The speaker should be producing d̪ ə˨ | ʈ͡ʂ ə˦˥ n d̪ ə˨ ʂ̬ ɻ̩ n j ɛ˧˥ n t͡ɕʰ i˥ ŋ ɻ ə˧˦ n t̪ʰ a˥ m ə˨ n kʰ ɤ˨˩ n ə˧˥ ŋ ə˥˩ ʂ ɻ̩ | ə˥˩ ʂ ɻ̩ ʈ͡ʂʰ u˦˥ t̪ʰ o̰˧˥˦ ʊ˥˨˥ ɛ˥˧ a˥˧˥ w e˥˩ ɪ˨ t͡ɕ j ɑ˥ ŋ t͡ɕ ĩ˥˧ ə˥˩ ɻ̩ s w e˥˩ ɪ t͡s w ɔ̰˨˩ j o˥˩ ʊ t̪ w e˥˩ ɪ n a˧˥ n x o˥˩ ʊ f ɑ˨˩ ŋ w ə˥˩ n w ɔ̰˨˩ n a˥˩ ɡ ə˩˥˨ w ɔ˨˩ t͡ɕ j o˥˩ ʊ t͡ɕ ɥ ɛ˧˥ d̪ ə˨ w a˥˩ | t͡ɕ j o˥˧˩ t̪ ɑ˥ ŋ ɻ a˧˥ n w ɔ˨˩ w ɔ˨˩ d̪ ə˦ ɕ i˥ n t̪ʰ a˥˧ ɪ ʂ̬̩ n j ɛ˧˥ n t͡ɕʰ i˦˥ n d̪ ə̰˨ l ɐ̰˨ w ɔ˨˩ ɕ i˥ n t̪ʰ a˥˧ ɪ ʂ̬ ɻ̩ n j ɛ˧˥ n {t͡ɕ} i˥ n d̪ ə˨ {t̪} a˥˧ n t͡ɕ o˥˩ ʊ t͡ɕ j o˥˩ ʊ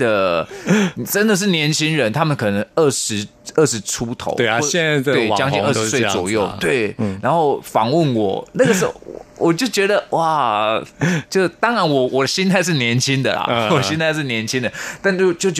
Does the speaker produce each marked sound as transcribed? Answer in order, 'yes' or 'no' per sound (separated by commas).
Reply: no, yes